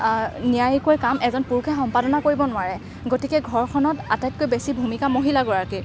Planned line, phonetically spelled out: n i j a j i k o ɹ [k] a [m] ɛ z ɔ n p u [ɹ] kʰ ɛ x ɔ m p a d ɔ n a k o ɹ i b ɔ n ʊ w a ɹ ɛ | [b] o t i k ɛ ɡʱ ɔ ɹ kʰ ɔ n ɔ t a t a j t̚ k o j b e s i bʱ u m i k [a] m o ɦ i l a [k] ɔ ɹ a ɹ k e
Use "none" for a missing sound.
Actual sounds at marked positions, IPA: k, m, ɹ, ɡ, a, ɡ

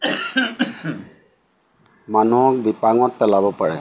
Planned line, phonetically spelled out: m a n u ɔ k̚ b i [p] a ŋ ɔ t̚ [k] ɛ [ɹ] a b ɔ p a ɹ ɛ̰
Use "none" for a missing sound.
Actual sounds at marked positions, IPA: p, p, l

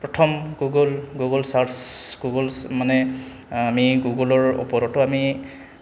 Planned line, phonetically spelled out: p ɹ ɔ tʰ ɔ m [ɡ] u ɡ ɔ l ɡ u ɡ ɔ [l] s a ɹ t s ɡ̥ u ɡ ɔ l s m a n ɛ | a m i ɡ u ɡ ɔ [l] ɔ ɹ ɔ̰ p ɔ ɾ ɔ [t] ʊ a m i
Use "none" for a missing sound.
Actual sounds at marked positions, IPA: ɡ, l, l, t

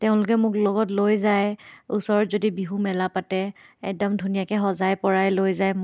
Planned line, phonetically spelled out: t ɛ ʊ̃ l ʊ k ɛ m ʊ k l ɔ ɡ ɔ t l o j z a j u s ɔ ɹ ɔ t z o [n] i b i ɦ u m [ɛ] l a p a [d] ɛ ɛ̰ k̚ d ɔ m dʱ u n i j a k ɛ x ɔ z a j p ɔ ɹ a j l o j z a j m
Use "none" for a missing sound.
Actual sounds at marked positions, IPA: d, ɛ, t

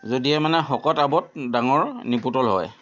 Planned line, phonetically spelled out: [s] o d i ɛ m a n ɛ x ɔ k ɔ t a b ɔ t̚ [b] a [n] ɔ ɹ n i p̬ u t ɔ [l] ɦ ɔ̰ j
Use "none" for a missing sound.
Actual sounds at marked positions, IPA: z, d, ŋ, l

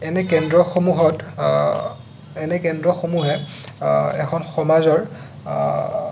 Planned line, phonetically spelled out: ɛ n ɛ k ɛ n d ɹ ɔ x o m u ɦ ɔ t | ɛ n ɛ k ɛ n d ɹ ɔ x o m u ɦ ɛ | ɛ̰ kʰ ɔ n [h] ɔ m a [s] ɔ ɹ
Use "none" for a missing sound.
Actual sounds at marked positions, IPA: x, z

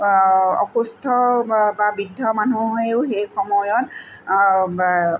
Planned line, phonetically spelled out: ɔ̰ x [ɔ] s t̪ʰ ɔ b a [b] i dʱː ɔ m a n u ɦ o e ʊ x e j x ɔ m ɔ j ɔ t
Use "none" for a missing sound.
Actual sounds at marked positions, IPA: u, b

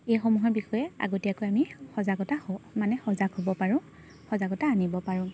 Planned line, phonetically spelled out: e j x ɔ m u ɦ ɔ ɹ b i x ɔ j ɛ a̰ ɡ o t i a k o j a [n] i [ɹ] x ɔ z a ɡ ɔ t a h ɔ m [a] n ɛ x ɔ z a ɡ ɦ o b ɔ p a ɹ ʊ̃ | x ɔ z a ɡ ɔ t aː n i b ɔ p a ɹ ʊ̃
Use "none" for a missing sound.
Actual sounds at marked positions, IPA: m, none, a

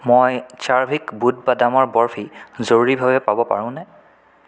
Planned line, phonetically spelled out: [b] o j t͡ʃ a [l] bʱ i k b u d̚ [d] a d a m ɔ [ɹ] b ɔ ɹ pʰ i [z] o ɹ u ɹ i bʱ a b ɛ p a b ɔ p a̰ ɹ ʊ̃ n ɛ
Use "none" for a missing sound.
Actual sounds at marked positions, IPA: m, ɹ, b, ɹ, z

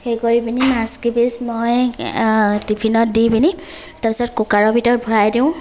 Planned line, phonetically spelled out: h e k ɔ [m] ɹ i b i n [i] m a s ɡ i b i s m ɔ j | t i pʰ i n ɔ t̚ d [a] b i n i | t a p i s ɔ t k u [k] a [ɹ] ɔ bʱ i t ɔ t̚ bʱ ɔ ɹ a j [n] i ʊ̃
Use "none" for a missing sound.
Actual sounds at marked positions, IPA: none, i, i, k, ɹ, d

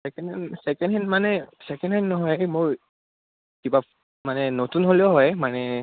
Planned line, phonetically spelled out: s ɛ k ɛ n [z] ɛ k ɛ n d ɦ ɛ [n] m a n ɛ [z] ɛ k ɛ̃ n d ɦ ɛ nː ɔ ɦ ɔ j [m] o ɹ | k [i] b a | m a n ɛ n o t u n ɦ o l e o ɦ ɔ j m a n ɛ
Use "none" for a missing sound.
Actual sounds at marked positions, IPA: s, n, s, m, i

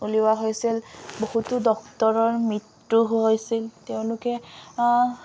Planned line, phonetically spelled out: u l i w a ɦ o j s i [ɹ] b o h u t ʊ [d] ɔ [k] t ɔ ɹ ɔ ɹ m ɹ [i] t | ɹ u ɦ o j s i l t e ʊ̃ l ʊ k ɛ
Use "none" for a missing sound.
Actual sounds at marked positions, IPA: l, d, k, i

